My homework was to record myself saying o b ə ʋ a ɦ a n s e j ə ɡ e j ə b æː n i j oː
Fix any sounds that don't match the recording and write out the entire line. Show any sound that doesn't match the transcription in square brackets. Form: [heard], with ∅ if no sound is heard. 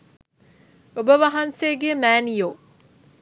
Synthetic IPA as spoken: o b ə ʋ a ɦ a n s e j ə ɡ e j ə [m] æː n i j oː

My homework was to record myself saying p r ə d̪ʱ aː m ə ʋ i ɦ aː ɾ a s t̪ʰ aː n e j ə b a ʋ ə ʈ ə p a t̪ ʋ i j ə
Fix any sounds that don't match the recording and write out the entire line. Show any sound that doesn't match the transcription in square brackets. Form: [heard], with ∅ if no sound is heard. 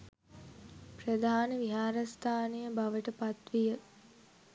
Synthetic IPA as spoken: p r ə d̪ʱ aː [n] ə ʋ i ɦ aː ɾ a s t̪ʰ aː n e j ə b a ʋ ə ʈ ə p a t̪ ʋ i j ə

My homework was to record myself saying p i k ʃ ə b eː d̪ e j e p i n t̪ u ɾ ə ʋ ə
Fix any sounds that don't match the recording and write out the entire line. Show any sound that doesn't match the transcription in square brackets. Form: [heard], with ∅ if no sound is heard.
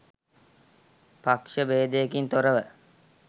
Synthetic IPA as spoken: p [a] k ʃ ə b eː d̪ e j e [k] i n t̪ [o] ɾ ə ʋ ə

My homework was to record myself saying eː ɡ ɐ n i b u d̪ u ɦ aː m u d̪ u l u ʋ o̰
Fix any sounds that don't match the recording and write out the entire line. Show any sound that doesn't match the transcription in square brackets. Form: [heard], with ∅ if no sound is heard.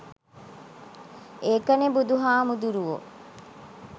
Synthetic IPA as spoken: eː [k] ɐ n [e] b u d̪ u ɦ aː m u d̪ u [ɾ] u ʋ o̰

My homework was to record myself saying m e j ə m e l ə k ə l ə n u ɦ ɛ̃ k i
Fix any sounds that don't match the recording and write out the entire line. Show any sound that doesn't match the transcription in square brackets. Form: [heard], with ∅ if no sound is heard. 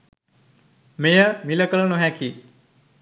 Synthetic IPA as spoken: m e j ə m [i] l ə k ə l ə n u ɦ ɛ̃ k i

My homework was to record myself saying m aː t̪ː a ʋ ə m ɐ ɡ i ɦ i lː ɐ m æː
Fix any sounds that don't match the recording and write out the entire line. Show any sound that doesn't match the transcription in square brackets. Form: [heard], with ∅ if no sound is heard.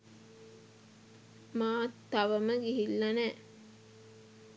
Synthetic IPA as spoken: m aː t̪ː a ʋ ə m [ə] ɡ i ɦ i lː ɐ [n] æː

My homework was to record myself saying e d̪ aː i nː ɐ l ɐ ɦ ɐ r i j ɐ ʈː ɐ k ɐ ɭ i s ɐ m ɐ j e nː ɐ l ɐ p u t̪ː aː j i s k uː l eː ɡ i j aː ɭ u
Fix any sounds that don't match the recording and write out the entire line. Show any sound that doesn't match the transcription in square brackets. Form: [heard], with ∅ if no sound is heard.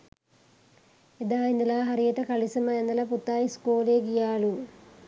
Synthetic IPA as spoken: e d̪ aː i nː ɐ l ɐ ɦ ɐ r i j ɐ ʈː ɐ k ɐ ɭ i s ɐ m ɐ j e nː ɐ l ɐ p u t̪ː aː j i s k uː l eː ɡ i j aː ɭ u

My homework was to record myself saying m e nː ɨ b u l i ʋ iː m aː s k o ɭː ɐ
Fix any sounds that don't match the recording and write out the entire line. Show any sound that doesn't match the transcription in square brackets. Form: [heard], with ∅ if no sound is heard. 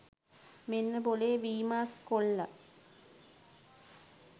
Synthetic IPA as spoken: m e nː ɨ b [o] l [e] ʋ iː m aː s k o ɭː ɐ

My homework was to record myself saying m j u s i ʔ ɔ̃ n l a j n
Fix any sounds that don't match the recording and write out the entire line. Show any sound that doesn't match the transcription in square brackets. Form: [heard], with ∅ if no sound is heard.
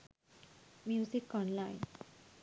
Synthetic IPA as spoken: m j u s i [k] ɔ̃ n l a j n

